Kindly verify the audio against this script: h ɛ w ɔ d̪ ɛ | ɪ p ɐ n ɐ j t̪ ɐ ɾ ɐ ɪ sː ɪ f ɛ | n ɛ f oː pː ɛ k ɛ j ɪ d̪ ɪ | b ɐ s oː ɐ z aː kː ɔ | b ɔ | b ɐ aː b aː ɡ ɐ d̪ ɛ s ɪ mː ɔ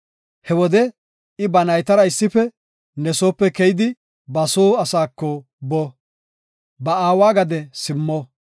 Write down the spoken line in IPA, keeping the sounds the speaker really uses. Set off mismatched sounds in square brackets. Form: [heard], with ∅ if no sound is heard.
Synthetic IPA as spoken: h ɛ w ɔ d̪ ɛ | ɪ [b] ɐ n ɐ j t̪ ɐ ɾ ɐ ɪ sː ɪ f ɛ | n ɛ [s] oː pː ɛ k ɛ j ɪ d̪ ɪ | b ɐ s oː ɐ [s] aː kː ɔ | b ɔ | b ɐ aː [w] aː ɡ ɐ d̪ ɛ s ɪ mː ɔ